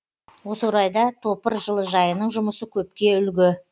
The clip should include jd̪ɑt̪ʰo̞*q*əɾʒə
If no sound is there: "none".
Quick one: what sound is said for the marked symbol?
p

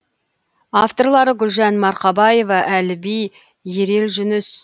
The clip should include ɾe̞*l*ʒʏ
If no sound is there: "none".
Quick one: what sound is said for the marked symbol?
l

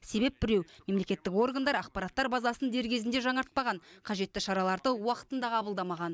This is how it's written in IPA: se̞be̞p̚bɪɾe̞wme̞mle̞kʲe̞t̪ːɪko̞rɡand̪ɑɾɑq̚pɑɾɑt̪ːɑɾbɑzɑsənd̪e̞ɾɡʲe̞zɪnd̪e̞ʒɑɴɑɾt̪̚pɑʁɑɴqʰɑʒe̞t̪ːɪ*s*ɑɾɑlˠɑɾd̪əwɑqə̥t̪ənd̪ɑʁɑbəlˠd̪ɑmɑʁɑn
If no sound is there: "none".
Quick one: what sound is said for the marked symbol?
ʃ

